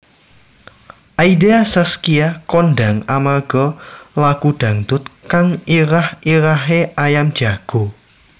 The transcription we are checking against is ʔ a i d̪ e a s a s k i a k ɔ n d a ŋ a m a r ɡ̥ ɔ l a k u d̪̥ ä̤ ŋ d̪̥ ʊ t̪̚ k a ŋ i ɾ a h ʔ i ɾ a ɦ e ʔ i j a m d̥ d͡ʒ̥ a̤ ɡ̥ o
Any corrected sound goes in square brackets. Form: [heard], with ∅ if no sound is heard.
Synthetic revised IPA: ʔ a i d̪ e a s a s k i a k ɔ n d a ŋ a m a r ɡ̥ ɔ l a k u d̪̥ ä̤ ŋ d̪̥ ʊ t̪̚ k a ŋ i ɾ a h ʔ i ɾ a ɦ e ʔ [a] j a m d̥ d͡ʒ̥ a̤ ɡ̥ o